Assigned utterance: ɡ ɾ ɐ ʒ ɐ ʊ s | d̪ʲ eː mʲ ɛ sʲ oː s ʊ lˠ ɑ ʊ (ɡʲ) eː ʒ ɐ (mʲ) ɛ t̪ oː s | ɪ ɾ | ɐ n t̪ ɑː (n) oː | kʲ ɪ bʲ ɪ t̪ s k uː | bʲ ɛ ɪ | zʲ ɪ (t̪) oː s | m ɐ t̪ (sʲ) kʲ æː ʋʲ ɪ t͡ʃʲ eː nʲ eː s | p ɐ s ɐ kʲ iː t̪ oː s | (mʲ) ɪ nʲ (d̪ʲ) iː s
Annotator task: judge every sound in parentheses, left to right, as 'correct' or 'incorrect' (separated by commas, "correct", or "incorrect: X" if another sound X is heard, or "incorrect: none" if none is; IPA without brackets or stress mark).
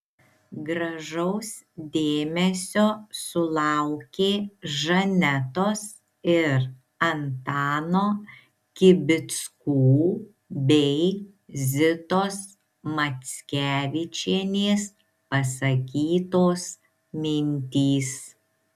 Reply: incorrect: kʲ, incorrect: nʲ, correct, correct, correct, correct, incorrect: t̪ʲ